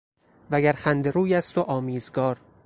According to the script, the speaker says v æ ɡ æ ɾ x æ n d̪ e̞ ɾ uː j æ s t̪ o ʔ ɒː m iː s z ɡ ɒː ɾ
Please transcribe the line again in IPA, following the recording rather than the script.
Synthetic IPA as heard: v æ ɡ æ ɾ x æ n d̪ e̞ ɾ uː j æ s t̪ o ʔ ɒː m iː z ɡ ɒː ɾ